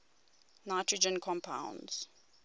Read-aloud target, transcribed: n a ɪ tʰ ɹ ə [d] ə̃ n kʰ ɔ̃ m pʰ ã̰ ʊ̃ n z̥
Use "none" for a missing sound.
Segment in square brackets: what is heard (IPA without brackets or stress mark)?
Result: d͡ʒ